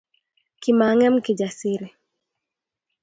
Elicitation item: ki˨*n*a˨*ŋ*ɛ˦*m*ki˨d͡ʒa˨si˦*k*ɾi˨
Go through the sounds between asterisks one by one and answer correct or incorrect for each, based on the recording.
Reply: incorrect: m, correct, correct, incorrect: none

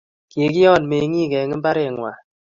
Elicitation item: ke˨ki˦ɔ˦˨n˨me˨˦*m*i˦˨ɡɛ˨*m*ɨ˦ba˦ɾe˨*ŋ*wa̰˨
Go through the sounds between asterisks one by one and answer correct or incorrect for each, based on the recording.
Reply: incorrect: ŋ, incorrect: ŋ, correct

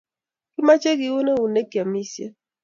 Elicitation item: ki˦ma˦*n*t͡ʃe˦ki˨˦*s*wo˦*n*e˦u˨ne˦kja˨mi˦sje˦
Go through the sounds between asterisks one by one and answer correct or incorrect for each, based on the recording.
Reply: incorrect: none, incorrect: none, correct

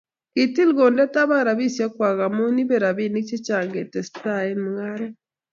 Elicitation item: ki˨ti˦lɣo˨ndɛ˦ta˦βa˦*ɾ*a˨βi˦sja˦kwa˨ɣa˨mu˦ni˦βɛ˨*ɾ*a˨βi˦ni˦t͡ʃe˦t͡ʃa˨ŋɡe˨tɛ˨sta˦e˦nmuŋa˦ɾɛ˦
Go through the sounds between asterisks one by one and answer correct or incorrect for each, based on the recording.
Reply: correct, correct

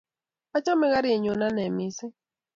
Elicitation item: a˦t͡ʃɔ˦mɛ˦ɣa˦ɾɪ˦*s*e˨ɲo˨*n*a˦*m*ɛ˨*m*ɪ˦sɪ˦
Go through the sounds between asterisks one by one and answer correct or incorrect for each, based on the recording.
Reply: incorrect: none, correct, incorrect: n, correct

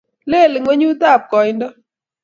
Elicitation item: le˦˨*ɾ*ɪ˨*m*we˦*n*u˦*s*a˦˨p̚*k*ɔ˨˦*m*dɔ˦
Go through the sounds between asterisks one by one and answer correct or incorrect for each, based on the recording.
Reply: incorrect: l, incorrect: ŋ, incorrect: ɲ, incorrect: t, correct, incorrect: n

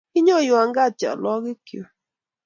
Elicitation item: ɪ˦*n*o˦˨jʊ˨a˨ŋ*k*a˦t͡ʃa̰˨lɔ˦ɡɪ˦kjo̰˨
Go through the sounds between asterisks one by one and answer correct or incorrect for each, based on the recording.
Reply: incorrect: ɲ, incorrect: ɡ

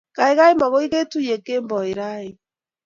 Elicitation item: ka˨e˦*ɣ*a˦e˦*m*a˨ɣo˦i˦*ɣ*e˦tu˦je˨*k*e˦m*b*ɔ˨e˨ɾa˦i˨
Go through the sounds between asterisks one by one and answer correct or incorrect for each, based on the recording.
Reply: correct, correct, correct, correct, correct

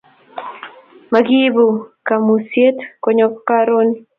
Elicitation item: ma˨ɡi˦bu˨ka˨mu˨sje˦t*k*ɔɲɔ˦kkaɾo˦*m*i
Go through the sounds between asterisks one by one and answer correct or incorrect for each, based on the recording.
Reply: correct, incorrect: n

